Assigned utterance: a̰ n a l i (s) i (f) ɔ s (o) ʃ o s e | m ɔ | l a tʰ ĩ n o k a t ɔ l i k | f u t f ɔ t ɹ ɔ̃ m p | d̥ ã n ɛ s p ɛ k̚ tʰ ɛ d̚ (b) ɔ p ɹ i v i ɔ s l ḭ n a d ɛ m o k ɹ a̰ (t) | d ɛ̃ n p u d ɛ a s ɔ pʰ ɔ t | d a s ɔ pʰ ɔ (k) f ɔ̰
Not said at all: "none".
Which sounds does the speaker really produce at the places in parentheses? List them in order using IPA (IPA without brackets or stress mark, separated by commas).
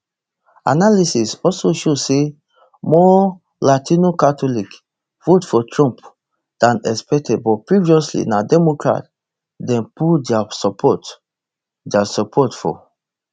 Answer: s, s, o, b, t, t